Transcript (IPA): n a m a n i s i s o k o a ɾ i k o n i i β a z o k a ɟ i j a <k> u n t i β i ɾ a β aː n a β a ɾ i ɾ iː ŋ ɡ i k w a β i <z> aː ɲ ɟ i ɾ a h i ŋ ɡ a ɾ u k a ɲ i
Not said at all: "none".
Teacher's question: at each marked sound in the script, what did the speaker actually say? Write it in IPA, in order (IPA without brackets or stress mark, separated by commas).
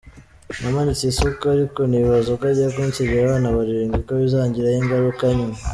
k, z